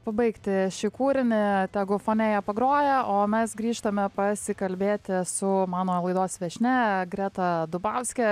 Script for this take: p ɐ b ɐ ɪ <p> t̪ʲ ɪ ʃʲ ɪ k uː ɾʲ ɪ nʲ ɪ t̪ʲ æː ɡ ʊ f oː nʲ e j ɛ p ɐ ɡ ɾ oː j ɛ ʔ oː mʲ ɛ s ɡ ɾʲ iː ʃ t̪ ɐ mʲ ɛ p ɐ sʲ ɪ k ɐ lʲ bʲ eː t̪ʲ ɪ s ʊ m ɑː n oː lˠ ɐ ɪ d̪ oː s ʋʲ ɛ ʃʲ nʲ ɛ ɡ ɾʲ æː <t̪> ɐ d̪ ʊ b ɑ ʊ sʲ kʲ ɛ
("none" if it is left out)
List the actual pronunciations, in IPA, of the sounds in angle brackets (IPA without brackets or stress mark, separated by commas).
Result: k, t̪